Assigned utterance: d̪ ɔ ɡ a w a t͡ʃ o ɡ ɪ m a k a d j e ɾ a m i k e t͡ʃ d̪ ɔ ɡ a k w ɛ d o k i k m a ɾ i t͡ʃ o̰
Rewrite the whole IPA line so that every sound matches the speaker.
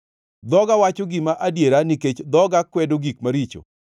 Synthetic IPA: d̪ ɔ ɡ a w a t͡ʃ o ɡ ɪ m a ʔ a d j e ɾ a n i k e t͡ʃ d̪ ɔ ɡ a k w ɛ d o ɡ i k m a ɾ i t͡ʃ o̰